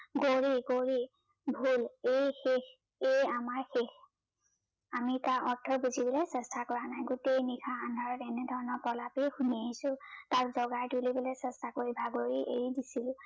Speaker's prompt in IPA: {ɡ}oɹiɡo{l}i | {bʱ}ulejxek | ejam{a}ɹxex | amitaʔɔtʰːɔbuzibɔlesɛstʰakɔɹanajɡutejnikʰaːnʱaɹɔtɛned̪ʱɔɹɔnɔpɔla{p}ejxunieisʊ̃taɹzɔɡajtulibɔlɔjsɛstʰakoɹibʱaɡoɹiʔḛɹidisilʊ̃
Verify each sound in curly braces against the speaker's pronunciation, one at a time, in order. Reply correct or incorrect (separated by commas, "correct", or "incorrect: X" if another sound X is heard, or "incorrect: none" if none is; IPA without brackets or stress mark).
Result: correct, incorrect: ɹ, correct, correct, correct